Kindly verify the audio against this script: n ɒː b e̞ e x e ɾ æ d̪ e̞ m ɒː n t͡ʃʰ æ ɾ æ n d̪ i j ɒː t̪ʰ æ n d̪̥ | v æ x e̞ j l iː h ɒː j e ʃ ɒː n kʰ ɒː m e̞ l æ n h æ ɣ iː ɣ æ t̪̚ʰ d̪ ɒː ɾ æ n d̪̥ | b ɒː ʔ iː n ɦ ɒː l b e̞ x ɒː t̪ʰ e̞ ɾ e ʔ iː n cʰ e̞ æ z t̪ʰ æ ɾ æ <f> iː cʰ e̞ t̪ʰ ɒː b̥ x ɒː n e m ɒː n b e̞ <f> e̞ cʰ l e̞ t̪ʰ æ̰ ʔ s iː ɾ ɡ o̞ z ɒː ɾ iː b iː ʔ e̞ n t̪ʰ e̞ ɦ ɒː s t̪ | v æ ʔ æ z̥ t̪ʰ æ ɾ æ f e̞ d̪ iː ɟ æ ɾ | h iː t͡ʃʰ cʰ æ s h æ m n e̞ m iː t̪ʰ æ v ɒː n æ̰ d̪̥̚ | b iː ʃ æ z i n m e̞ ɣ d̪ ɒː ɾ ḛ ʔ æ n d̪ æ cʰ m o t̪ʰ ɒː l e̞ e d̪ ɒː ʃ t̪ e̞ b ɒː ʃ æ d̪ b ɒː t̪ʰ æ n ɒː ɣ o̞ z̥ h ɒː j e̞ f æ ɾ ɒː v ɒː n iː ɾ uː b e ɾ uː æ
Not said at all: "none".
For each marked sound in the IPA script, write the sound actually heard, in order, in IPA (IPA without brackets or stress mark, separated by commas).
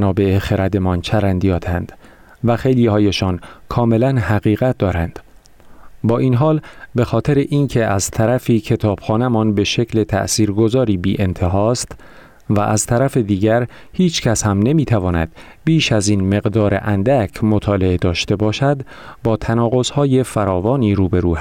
f, ʃ